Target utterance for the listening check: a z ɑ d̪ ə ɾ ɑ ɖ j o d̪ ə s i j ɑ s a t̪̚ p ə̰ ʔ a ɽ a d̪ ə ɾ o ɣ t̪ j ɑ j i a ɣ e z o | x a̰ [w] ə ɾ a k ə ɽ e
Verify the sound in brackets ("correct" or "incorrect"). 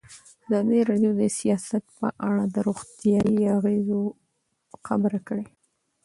incorrect